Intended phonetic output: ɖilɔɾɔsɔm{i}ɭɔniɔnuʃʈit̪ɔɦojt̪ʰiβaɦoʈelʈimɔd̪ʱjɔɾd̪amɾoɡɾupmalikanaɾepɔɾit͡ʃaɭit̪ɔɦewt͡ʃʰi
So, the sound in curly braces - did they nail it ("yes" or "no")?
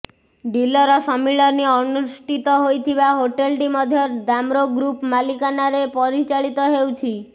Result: yes